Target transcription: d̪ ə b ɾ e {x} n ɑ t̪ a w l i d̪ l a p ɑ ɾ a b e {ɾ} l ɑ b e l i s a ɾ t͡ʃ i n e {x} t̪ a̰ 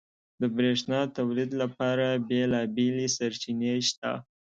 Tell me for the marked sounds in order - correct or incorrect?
incorrect: ʂ, incorrect: none, incorrect: ʃ

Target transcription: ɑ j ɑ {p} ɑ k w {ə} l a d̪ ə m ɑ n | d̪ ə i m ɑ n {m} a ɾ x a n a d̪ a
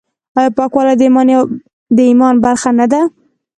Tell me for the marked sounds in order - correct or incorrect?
correct, incorrect: ɑ, incorrect: b

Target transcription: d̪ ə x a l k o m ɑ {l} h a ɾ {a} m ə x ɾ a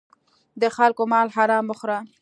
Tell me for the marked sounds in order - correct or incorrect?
correct, incorrect: ɑ

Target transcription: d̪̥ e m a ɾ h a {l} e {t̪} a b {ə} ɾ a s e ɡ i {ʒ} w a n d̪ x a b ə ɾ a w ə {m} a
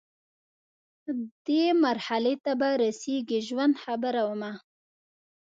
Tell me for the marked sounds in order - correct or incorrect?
correct, correct, incorrect: a, correct, correct

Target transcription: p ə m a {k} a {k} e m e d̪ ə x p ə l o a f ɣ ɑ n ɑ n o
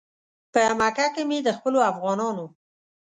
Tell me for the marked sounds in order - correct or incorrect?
correct, correct

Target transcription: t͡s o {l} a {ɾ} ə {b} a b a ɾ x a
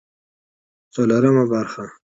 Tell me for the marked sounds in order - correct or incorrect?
correct, correct, incorrect: m

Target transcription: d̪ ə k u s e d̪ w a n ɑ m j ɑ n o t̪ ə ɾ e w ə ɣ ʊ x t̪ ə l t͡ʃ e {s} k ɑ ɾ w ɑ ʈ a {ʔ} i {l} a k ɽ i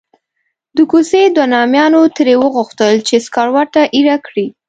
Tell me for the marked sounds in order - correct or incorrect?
correct, correct, incorrect: ɾ

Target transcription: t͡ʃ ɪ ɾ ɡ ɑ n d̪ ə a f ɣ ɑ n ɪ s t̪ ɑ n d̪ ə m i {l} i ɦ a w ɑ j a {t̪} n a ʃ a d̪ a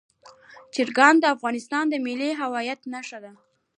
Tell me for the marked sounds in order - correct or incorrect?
correct, correct

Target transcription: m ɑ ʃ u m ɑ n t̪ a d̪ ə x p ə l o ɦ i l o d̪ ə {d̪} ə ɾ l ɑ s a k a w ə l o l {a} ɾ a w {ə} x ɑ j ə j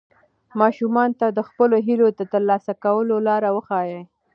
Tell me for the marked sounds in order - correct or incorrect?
incorrect: t̪, incorrect: ɑ, correct

